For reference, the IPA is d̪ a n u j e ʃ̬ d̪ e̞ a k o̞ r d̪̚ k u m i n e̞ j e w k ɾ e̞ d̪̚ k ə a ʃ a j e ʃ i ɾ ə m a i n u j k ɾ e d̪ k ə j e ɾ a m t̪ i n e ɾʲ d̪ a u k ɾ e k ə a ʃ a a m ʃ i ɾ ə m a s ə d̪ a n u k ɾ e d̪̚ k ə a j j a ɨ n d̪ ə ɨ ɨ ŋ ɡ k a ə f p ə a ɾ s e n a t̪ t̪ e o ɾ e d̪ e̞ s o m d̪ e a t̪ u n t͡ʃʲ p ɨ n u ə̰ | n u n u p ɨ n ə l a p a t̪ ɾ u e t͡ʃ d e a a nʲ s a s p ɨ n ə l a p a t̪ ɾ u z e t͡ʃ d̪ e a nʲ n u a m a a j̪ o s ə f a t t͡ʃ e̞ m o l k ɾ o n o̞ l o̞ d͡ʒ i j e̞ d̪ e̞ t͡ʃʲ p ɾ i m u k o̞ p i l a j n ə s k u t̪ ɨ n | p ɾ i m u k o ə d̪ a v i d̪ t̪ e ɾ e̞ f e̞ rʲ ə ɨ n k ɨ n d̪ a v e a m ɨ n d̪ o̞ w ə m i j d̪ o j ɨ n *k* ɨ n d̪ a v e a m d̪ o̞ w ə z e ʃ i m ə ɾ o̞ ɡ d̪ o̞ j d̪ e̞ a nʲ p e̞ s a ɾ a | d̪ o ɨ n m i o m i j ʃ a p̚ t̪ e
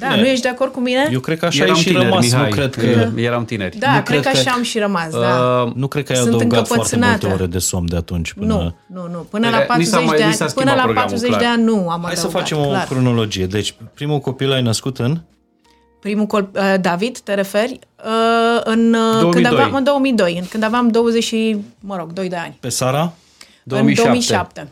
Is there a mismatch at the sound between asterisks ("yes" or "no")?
no